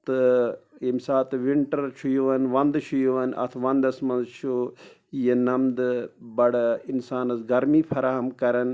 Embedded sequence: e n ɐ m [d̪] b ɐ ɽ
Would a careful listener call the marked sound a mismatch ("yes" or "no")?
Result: no